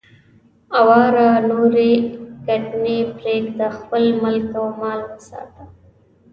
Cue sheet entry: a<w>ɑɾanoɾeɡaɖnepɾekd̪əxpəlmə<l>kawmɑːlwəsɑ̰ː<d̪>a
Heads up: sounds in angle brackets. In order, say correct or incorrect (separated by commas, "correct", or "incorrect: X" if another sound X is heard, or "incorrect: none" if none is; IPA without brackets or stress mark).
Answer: correct, correct, incorrect: t̪